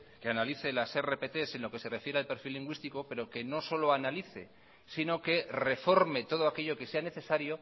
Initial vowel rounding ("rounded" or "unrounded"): unrounded